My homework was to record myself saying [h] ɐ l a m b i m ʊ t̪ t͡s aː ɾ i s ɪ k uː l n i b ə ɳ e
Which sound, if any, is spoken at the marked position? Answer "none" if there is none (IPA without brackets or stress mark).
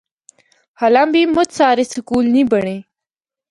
h